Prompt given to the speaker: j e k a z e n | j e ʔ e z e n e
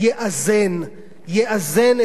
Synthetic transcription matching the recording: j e ʔ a z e n | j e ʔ a z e n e